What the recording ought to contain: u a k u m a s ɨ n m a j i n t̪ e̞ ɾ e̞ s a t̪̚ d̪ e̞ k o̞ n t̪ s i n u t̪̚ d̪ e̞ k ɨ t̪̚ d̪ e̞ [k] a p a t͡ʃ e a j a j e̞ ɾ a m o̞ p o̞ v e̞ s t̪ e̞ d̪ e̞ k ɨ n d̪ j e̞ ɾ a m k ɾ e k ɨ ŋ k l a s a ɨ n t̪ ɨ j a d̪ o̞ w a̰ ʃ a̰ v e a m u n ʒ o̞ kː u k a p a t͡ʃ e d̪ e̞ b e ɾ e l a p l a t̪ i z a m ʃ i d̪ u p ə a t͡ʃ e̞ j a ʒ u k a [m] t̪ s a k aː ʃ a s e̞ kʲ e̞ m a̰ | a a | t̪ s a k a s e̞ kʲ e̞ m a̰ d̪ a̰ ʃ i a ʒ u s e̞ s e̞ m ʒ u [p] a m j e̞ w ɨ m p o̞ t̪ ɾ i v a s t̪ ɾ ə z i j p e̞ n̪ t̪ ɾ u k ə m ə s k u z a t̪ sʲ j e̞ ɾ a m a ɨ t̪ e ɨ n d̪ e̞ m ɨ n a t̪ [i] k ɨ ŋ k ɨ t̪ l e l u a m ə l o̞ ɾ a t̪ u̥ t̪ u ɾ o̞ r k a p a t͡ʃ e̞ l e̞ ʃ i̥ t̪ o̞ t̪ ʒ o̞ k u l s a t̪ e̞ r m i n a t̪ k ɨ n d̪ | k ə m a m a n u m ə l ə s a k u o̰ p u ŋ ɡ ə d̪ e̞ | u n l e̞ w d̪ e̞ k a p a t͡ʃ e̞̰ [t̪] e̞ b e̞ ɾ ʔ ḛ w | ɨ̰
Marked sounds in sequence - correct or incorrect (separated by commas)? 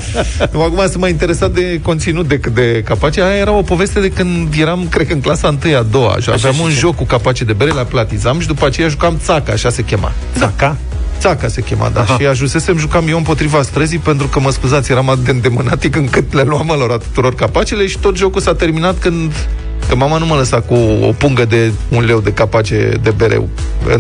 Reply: correct, correct, incorrect, correct, incorrect